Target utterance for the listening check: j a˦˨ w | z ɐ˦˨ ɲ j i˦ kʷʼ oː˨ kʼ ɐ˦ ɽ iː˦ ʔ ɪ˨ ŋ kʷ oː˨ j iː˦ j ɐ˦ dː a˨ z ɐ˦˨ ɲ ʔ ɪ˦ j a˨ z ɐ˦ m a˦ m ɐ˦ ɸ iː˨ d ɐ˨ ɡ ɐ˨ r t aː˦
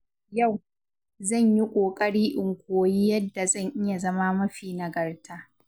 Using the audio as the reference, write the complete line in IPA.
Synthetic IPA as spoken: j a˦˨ w | z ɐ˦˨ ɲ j i˦ kʷʼ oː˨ kʼ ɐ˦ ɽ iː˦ ʔ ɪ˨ ŋ kʷ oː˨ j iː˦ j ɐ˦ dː a˨ z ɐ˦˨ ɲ ʔ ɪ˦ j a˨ z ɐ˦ m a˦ m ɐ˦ ɸ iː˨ n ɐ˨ ɡ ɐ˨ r t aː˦

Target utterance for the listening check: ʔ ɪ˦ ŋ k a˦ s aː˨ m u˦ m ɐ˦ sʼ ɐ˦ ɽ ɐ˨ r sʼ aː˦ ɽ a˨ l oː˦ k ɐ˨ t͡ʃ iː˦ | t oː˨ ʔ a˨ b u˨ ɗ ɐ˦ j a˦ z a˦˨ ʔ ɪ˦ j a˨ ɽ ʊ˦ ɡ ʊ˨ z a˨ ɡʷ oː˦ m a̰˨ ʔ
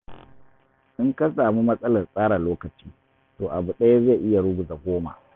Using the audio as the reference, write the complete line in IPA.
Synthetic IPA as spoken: ʔ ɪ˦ ŋ k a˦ s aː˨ m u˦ m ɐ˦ sʼ ɐ˦ l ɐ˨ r sʼ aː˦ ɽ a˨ l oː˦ k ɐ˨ t͡ʃ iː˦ | t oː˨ ʔ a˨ b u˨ ɗ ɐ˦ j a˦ z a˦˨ ʔ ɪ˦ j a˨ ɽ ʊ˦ ɡ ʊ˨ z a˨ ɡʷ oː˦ m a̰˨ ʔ

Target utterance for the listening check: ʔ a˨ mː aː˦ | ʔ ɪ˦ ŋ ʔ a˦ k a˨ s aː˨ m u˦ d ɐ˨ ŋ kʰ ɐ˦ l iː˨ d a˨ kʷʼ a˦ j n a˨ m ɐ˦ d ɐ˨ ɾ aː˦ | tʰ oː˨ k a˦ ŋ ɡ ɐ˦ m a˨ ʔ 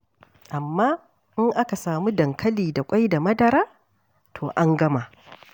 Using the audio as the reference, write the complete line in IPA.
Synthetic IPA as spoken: ʔ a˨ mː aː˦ | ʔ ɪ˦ ŋ ʔ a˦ k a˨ s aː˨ m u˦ d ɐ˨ ŋ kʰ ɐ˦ l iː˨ d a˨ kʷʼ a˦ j d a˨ m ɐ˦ d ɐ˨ ɾ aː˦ | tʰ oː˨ ʔ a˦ ŋ ɡ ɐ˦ m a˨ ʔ

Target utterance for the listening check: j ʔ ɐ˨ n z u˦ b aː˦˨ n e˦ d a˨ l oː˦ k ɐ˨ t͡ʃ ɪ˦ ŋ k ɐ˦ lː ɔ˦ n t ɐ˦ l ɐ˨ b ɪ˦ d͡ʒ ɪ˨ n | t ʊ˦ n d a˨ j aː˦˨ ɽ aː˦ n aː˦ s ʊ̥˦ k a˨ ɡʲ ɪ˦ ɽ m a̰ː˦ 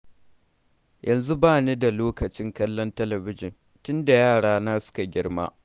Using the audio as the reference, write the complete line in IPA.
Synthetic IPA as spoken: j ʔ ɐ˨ n z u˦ b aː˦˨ n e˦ d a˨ l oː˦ k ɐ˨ t͡ʃ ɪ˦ ŋ k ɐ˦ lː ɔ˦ n t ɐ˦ l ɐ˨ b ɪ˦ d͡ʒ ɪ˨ n | t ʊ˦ n d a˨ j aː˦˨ ɽ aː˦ n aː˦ s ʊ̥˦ k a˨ ɡʲ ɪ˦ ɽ m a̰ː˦

